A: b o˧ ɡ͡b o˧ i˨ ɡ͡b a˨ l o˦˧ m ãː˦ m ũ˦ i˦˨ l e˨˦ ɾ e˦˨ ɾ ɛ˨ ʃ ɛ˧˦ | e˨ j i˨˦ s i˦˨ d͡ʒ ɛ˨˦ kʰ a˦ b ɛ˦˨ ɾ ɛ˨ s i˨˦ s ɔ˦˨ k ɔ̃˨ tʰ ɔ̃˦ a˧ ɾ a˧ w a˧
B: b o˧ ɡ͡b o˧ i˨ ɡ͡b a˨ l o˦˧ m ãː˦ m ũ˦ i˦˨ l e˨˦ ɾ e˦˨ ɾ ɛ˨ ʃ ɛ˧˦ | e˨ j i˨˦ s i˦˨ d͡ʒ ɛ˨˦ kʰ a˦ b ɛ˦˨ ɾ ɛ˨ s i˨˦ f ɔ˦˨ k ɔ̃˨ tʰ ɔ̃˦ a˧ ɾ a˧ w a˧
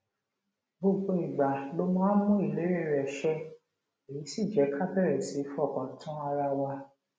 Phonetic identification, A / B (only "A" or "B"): B